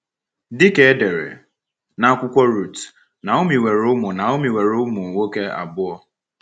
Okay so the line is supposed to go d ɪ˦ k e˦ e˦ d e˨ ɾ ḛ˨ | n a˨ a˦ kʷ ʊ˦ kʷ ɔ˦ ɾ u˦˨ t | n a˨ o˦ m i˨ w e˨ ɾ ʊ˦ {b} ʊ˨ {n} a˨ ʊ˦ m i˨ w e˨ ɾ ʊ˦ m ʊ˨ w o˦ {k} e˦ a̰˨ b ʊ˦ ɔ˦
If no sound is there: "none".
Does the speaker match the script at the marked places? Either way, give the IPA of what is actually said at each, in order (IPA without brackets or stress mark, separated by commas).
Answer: m, n, k